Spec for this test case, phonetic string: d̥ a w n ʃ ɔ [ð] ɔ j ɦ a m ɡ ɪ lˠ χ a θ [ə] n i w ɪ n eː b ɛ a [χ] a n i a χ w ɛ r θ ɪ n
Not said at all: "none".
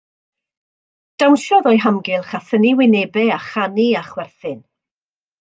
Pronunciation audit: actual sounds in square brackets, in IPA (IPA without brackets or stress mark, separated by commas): ð, ə, χ